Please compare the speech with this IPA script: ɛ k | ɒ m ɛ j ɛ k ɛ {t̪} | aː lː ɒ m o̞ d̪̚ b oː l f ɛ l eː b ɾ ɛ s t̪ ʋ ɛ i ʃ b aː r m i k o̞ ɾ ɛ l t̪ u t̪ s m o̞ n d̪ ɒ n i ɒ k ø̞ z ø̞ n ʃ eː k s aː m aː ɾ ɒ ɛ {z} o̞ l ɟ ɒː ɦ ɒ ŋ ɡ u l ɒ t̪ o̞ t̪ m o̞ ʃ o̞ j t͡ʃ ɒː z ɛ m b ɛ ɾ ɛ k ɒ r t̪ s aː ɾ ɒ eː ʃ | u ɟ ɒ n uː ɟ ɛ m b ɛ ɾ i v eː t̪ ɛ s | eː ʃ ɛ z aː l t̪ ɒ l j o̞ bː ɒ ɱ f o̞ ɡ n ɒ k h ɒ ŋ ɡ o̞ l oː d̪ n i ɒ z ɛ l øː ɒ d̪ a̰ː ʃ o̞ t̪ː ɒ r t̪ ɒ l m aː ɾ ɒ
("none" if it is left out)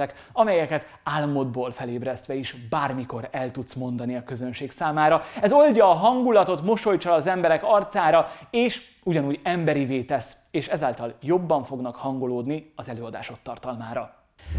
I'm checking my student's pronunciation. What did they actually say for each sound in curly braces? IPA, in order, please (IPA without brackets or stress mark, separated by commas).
t̪, z